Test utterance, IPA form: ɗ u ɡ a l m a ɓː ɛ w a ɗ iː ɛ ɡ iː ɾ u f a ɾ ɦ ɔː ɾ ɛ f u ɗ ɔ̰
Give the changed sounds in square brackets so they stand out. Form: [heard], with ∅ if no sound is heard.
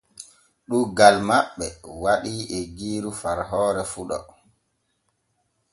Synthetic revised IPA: ɗ u ɡ a l m a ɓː ɛ w a ɗ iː ɛ ɡ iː ɾ u f a ɾ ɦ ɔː ɾ ɛ f u ɗ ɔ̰